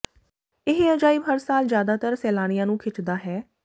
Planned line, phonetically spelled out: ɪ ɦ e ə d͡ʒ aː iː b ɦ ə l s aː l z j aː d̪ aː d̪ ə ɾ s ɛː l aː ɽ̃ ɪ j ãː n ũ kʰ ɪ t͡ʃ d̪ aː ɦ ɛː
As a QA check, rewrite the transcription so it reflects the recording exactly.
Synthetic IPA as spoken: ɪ ɦ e ə d͡ʒ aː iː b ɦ ə ɾ s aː l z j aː d̪ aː t̪ ə ɾ s ɛː l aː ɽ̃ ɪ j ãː n ũː kʰ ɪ t͡ʃ d̪ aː ɦ ɛː